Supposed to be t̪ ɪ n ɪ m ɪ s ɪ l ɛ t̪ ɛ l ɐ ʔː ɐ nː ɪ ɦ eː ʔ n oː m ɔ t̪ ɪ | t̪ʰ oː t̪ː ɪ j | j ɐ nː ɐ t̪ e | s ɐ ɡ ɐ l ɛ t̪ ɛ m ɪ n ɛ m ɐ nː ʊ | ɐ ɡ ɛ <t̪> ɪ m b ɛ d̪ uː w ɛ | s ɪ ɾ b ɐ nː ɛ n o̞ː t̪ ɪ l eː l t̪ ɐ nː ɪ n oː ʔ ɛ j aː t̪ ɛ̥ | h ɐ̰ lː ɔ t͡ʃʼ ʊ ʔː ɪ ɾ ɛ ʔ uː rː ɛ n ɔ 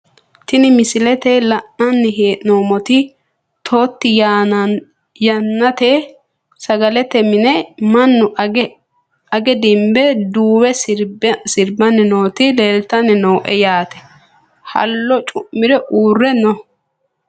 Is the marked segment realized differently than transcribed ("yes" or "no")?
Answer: yes